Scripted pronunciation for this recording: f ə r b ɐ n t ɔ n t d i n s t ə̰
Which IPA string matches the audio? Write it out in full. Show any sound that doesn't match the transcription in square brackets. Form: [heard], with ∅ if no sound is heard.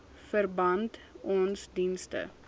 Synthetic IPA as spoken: f ə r b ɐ n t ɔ n [s] d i n s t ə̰